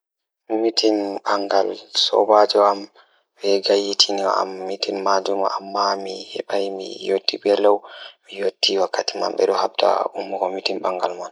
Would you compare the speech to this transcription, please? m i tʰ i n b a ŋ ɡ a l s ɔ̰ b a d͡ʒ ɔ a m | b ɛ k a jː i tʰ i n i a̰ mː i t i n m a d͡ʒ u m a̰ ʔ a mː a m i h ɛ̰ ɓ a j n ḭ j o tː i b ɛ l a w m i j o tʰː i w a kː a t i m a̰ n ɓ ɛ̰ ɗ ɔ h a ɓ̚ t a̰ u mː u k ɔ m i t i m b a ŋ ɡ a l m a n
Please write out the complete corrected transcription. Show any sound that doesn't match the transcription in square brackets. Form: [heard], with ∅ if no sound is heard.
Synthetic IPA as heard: m i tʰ i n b a ŋ ɡ a l s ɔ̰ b a d͡ʒ ɔ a m | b ɛ [ɡ] a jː i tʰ i n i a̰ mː i t i n m a d͡ʒ u m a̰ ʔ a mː a m i h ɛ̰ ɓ a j [m] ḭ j o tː i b ɛ l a w m i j o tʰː i w a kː a t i m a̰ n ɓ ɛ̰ ɗ ɔ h a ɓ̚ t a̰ u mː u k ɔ m i t i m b a ŋ ɡ a l m a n